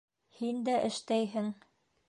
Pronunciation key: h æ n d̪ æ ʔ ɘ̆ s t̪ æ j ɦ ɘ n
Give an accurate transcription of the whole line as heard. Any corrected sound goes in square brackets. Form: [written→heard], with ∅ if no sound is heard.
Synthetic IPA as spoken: h [æ→i] n d̪ æ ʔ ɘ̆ [s→ʃ] t̪ æ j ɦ ɘ [n→ŋ]